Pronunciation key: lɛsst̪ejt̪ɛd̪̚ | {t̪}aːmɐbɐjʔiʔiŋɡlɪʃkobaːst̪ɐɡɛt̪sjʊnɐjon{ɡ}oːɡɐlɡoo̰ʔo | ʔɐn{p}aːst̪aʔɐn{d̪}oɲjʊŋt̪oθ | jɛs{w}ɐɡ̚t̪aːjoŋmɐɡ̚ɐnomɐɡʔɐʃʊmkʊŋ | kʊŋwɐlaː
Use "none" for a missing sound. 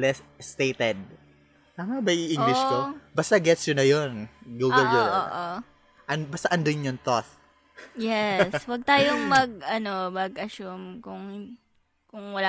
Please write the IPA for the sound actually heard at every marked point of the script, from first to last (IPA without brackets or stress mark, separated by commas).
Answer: t̪, ɡ, b, d̪, w